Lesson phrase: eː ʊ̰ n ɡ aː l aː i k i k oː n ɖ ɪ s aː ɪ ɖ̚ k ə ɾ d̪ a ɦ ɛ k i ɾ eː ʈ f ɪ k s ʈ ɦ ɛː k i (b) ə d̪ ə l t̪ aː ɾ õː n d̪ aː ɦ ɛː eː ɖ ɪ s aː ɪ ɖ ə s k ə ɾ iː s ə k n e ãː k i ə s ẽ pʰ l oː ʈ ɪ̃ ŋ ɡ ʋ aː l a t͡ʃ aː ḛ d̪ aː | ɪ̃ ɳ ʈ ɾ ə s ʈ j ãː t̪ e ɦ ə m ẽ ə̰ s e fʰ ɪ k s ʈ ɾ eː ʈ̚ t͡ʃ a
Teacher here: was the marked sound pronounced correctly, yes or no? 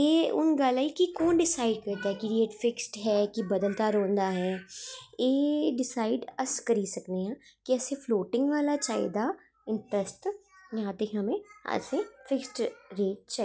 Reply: yes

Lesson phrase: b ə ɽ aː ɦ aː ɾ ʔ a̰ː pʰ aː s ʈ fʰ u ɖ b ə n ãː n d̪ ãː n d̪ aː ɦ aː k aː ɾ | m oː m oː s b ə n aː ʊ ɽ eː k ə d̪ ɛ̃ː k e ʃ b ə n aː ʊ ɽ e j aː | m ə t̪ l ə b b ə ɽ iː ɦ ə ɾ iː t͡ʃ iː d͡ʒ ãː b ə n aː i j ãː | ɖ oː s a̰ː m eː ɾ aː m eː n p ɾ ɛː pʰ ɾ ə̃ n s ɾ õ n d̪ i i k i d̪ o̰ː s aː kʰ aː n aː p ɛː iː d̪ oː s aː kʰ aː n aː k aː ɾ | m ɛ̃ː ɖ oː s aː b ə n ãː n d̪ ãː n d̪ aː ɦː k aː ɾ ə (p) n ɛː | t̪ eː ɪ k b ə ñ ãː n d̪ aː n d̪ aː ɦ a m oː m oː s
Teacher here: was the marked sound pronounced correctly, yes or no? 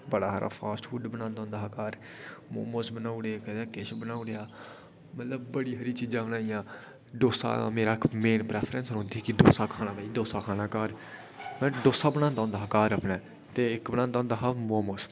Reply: yes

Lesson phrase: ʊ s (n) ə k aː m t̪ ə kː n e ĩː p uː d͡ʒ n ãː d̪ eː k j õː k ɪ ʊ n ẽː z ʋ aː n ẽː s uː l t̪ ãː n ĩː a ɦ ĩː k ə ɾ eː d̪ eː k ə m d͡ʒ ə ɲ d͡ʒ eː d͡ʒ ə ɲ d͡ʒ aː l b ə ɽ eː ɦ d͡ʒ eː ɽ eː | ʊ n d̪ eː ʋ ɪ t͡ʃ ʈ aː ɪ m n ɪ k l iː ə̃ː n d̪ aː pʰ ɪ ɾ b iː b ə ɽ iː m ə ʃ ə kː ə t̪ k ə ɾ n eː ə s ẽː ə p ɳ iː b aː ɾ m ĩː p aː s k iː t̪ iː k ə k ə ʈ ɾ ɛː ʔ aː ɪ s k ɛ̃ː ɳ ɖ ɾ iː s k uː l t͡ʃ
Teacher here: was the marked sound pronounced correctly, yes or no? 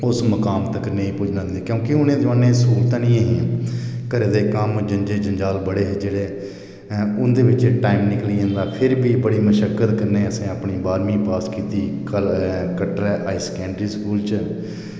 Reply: no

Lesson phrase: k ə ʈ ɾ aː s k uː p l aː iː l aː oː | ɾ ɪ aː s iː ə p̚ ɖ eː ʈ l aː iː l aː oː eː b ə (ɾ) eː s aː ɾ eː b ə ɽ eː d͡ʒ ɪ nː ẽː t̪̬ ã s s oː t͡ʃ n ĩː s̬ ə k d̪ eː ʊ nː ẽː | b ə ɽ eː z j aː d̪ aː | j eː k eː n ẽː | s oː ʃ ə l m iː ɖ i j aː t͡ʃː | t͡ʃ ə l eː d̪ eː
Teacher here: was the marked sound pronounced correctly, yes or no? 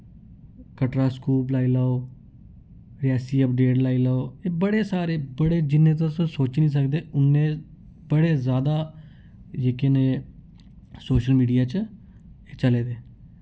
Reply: no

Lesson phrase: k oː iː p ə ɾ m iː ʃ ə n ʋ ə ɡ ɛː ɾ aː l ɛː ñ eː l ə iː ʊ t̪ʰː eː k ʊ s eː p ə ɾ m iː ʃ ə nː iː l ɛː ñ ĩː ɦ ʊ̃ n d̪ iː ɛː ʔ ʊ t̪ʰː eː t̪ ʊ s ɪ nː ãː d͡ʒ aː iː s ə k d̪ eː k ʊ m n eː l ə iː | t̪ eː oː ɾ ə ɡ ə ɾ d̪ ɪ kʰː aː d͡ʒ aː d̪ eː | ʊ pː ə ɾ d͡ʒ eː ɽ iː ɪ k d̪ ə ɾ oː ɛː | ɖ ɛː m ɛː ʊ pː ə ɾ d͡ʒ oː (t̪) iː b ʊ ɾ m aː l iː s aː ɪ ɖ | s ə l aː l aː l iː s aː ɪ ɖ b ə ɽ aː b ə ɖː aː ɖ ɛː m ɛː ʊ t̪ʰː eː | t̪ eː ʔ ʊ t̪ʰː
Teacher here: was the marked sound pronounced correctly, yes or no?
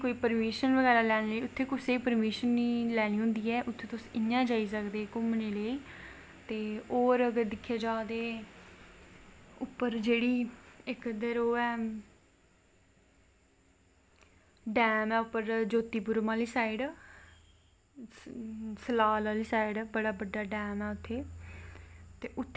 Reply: yes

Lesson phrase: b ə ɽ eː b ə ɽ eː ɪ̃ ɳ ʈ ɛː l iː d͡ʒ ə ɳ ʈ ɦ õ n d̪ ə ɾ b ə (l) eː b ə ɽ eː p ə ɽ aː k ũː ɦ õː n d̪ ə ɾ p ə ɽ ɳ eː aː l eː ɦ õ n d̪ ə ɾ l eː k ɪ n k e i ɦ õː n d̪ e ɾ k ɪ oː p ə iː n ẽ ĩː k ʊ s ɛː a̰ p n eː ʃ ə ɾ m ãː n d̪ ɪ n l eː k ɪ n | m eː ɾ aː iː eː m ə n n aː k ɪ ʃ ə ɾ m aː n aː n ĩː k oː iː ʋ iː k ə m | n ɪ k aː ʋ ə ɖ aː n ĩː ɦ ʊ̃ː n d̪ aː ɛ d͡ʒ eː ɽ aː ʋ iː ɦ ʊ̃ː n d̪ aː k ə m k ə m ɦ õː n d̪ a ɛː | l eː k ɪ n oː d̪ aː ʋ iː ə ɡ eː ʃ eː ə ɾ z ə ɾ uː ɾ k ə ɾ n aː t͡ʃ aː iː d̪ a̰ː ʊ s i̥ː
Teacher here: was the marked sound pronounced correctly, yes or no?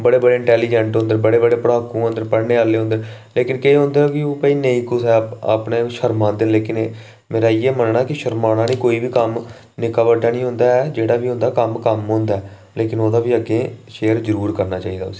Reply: no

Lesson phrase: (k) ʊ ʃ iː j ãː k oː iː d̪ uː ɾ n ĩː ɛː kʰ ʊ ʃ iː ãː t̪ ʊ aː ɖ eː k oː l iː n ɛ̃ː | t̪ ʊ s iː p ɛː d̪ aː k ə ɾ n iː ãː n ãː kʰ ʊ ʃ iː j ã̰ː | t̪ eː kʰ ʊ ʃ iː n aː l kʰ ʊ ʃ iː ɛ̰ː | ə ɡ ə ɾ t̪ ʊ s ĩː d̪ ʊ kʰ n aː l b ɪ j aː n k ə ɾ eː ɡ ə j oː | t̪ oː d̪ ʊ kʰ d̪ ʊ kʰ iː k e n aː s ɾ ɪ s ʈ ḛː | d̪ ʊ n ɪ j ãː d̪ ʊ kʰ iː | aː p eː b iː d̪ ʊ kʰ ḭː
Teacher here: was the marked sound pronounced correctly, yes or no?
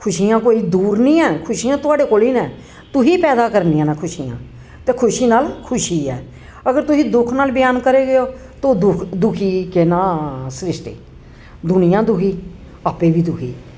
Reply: no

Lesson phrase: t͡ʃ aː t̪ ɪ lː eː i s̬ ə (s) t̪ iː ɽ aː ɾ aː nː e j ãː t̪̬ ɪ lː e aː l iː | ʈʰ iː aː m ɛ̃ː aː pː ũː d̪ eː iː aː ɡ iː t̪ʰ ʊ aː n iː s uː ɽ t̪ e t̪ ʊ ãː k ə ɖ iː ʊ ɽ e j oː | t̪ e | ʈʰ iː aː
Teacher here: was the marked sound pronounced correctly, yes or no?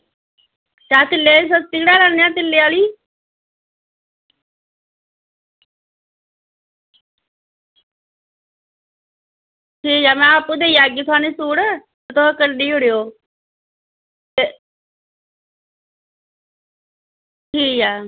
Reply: yes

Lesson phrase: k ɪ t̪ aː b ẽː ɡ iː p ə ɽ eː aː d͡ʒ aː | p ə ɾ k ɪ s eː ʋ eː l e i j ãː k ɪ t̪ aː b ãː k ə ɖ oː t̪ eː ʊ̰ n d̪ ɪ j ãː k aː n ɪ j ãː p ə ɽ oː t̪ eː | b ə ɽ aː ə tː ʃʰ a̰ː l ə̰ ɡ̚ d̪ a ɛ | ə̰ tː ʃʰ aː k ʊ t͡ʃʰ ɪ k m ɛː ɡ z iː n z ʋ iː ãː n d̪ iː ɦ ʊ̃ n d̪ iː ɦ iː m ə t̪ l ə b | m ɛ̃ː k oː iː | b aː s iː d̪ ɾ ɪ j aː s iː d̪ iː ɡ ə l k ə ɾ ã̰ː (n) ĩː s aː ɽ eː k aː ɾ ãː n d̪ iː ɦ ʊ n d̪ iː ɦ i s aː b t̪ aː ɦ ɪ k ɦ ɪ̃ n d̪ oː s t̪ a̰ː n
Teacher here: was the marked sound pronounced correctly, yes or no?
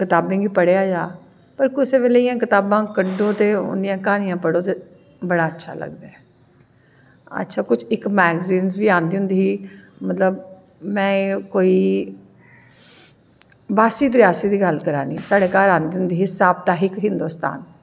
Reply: yes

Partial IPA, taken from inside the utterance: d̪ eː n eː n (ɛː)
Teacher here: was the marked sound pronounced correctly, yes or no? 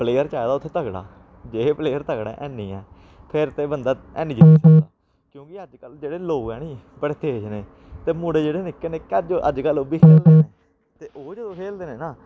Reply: no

